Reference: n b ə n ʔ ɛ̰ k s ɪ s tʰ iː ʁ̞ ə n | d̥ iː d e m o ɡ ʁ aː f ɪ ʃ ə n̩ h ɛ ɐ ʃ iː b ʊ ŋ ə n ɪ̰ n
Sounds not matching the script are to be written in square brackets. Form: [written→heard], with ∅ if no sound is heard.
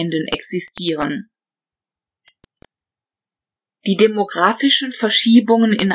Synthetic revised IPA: n [b→d] ə n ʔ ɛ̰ k s ɪ s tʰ iː ʁ̞ ə n | d̥ iː d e m o ɡ ʁ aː f ɪ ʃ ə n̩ [h→f] ɛ ɐ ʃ iː b ʊ ŋ ə n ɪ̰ n